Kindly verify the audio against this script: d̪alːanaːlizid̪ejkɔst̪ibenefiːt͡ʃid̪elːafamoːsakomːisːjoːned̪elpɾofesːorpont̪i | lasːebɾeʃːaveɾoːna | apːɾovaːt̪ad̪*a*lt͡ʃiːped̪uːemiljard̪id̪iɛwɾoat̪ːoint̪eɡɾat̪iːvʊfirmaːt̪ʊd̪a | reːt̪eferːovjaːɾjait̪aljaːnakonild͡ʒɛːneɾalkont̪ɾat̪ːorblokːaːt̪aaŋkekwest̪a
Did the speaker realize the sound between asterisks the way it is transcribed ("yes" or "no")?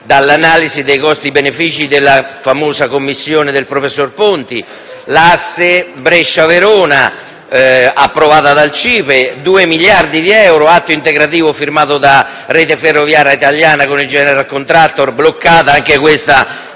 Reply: yes